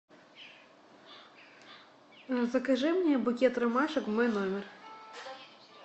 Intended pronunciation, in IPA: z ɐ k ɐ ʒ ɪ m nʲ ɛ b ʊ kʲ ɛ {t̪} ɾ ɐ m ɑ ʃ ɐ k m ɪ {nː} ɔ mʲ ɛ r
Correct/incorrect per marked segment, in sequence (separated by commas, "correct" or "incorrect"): correct, incorrect